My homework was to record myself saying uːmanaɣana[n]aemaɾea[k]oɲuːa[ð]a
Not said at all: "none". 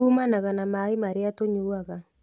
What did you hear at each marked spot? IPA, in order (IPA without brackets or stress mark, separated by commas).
m, t, ɣ